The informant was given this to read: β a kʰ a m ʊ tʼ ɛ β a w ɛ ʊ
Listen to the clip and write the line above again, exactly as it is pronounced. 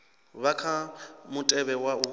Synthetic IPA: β a kʰ a m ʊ tʼ ɛ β ɛ w a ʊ